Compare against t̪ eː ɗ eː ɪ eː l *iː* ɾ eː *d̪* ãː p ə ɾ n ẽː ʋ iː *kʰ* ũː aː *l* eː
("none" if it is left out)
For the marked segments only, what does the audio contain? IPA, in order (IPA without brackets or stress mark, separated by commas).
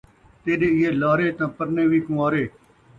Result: aː, t̪, k, ɾ